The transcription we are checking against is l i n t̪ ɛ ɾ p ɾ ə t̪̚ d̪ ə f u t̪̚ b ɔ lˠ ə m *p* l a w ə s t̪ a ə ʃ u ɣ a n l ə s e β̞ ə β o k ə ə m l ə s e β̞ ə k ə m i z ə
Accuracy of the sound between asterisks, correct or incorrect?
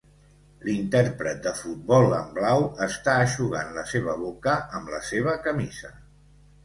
incorrect